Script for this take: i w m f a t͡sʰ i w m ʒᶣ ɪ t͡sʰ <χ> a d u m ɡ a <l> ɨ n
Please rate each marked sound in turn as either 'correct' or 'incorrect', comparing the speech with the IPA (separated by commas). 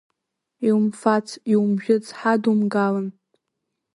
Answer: incorrect, correct